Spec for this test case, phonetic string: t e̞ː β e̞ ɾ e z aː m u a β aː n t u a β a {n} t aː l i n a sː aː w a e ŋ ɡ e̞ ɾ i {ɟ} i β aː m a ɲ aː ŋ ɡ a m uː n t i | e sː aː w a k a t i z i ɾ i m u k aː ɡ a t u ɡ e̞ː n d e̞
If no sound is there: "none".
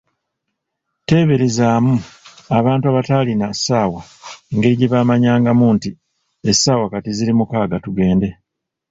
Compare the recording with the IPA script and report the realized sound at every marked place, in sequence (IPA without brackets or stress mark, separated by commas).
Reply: none, ɟ